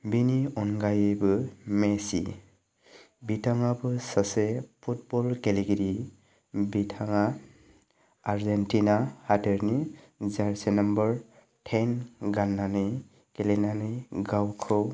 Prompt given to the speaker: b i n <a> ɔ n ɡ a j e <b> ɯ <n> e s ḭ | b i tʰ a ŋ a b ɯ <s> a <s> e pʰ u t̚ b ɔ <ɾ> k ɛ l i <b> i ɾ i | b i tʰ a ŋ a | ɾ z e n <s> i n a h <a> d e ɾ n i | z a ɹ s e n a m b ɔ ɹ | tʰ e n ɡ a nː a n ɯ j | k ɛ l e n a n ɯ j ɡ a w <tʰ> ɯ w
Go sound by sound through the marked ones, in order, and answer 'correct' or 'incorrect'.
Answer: incorrect: i, correct, incorrect: m, correct, correct, incorrect: l, incorrect: ɡ, incorrect: t, correct, incorrect: kʰ

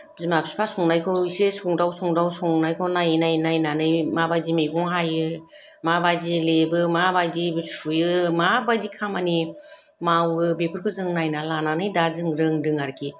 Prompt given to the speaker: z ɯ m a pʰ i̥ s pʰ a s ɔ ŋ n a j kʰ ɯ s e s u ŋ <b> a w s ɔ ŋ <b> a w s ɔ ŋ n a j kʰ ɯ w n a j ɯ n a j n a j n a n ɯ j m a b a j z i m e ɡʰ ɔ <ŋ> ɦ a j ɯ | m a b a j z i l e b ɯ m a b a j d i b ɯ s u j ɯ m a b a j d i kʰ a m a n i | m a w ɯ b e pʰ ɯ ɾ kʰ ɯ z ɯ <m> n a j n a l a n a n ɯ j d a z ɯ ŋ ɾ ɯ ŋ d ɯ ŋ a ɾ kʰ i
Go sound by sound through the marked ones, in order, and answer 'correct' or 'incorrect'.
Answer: incorrect: d, incorrect: d, correct, incorrect: ŋ

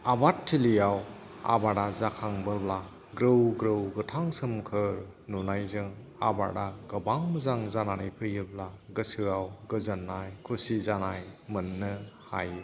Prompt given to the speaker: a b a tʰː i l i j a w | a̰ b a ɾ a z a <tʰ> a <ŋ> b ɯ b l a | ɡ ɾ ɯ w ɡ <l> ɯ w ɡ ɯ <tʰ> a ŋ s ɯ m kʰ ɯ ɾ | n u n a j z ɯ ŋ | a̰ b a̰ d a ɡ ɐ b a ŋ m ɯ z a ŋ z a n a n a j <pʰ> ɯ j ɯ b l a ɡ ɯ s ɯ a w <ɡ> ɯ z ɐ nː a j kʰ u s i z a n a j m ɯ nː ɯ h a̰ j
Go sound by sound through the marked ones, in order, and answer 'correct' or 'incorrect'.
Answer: incorrect: kʰ, correct, incorrect: ɾ, correct, correct, correct

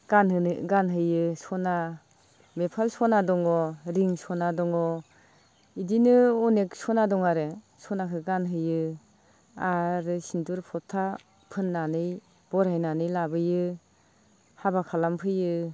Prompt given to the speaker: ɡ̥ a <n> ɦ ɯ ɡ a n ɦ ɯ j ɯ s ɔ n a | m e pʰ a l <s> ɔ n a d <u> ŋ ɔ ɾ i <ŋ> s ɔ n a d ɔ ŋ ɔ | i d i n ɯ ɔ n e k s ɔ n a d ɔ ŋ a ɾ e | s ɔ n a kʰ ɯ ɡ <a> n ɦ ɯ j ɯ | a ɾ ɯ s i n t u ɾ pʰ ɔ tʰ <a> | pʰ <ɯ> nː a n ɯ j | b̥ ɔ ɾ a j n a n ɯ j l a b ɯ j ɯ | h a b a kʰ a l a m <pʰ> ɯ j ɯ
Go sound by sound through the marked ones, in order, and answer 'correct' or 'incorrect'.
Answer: correct, correct, incorrect: ɔ, correct, correct, correct, correct, correct

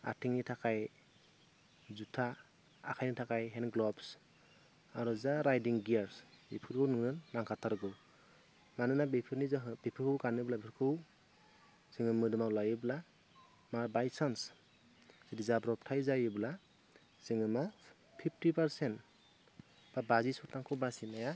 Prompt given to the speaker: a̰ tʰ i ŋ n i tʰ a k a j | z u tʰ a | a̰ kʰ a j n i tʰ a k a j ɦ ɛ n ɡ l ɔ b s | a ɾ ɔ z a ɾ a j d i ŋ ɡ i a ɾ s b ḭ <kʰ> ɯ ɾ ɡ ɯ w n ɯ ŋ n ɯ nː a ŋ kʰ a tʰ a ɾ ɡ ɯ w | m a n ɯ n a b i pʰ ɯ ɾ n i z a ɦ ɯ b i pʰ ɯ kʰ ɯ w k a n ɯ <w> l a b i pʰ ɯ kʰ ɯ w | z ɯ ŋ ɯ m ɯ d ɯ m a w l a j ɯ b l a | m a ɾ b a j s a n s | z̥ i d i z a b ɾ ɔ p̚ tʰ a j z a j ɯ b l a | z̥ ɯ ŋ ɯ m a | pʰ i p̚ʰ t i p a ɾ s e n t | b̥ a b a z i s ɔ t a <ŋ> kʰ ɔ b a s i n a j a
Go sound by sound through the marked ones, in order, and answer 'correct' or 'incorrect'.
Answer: incorrect: pʰ, incorrect: b, correct

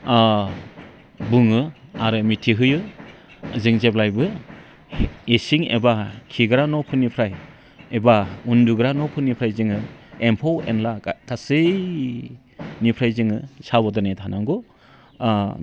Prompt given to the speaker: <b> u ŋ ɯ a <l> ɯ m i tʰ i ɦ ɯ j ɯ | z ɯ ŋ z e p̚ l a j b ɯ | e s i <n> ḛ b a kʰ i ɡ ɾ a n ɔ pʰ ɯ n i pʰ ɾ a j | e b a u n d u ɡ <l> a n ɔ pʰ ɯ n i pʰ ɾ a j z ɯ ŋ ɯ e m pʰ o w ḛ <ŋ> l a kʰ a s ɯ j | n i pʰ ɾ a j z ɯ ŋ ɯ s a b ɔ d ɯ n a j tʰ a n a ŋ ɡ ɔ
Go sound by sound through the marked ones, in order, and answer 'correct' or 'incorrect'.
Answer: correct, incorrect: ɾ, incorrect: ŋ, incorrect: ɾ, incorrect: n

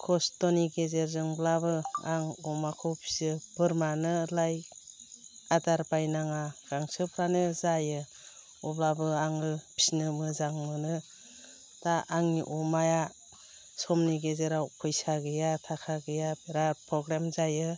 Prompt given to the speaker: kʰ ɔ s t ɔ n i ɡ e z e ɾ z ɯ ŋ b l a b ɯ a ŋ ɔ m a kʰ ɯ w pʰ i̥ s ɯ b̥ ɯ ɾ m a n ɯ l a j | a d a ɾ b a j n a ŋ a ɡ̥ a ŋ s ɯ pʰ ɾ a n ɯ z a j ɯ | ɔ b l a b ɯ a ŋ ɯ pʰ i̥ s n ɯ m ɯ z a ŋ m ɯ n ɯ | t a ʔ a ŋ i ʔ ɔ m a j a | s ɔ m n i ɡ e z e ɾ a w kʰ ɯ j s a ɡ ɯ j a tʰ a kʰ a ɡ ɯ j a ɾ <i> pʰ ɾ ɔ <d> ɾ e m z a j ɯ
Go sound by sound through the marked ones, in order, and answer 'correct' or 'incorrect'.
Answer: incorrect: a, incorrect: ɡ

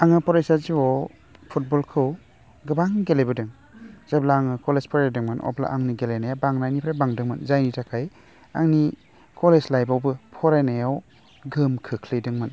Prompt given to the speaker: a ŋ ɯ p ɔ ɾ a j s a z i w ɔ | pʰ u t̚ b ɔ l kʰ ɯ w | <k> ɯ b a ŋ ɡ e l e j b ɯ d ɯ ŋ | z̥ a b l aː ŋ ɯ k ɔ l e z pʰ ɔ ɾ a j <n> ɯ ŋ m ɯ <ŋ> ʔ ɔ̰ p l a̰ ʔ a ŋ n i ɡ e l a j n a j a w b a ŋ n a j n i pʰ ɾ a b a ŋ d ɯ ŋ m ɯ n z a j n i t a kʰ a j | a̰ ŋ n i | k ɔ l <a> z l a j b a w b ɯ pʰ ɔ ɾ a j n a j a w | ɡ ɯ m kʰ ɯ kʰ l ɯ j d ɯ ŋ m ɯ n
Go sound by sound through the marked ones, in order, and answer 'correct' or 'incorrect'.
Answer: incorrect: ɡ, incorrect: d, incorrect: n, incorrect: e

